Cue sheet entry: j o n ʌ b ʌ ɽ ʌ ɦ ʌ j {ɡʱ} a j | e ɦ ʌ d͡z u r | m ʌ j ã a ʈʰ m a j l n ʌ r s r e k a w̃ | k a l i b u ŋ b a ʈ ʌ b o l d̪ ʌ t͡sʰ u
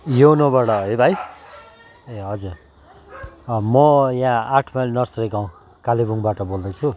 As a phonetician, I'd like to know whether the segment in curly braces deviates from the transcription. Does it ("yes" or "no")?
yes